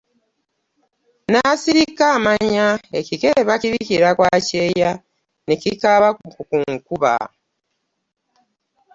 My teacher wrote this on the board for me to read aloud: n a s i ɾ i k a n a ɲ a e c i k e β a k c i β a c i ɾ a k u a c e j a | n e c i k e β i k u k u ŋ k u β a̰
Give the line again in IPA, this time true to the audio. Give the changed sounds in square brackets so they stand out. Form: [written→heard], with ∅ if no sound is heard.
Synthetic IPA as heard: n a s i ɾ i k a [n→m] a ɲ a e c i k e β a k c i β [a→i] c i ɾ a k [u→w] a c e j a | n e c i k [e→a] β [i→a] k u k u ŋ k u β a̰